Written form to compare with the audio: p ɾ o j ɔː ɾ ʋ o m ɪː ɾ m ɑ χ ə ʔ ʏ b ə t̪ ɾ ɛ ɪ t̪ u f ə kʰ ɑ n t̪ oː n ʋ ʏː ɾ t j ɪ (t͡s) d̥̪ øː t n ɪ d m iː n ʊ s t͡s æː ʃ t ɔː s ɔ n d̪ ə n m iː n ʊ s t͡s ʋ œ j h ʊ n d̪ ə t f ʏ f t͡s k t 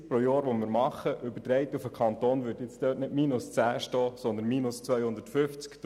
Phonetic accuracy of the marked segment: correct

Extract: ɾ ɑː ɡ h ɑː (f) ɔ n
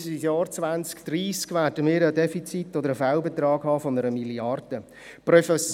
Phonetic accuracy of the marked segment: correct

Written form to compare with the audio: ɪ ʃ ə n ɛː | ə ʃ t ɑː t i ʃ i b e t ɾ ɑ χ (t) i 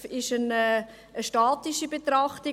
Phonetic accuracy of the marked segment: correct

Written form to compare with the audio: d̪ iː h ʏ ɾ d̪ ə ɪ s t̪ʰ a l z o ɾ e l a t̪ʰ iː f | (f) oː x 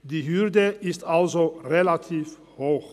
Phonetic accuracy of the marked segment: incorrect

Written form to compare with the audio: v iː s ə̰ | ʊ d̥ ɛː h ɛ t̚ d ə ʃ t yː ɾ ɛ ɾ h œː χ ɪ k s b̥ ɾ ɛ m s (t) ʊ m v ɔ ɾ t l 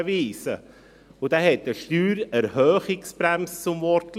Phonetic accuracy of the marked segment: incorrect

